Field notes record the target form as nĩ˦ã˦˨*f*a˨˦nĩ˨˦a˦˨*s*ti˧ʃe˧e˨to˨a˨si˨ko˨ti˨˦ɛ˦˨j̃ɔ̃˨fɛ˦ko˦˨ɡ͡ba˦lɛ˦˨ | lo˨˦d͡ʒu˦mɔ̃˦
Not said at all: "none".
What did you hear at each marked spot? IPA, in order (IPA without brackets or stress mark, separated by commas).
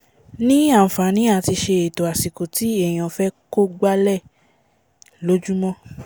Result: f, none